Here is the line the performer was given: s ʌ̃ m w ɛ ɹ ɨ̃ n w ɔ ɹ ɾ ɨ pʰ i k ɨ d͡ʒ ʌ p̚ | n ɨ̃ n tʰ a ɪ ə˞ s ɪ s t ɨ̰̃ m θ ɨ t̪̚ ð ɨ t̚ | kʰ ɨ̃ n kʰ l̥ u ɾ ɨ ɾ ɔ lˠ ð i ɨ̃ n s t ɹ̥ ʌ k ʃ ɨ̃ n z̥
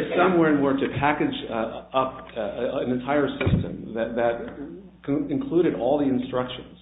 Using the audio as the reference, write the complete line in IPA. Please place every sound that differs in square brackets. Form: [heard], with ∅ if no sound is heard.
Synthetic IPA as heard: s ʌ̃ m w ɛ ɹ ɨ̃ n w ɔ ɹ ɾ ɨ pʰ [æ] k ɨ d͡ʒ ʌ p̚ | n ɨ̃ n tʰ a ɪ ə˞ s ɪ s t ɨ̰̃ m [ð] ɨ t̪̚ ð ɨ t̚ | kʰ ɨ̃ n kʰ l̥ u ɾ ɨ ɾ ɔ lˠ ð i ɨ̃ n s t ɹ̥ ʌ k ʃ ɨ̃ n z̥